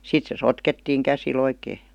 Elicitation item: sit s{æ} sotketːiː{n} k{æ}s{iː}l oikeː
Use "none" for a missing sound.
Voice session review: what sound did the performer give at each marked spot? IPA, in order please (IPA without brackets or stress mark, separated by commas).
e, ŋ, æ, i